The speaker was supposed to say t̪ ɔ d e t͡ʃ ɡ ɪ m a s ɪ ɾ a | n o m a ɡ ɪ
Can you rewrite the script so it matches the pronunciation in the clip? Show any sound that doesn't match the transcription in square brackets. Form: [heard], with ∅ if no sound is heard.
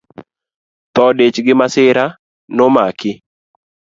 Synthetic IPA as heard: t̪ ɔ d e t͡ʃ ɡ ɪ m a s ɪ ɾ a | n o m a [k] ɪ